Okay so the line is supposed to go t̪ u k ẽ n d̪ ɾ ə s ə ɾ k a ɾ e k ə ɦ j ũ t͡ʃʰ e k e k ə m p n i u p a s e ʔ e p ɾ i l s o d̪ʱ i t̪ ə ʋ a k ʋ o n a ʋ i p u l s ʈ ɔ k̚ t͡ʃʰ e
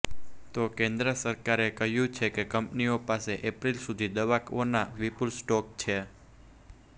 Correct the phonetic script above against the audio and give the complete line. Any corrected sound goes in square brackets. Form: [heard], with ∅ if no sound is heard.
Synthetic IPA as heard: t̪ [o] k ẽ n d̪ ɾ ə s ə ɾ k a ɾ e k ə ɦ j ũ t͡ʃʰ e k e k ə m p n i [o] p a s e ʔ e p ɾ i l s [u] d̪ʱ i [d̪] ə ʋ a k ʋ o n a ʋ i p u l s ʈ ɔ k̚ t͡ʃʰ e